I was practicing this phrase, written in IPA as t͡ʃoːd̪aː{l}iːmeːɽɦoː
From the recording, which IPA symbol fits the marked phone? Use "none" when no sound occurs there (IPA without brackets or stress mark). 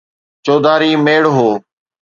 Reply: ɾ